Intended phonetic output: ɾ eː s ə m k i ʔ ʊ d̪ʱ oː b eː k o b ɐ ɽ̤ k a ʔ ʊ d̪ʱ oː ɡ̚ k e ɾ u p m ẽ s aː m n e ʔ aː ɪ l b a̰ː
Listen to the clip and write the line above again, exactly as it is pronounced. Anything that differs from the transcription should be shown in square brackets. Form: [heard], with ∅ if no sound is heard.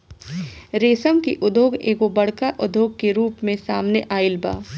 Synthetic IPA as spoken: ɾ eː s ə m k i ʔ ʊ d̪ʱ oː [ɡ] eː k o b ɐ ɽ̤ k a ʔ ʊ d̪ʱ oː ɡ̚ k e ɾ [uː] p m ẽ s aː m n e ʔ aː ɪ l b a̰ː